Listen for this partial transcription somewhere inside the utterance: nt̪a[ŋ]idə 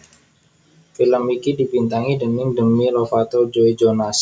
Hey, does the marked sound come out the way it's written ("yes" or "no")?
yes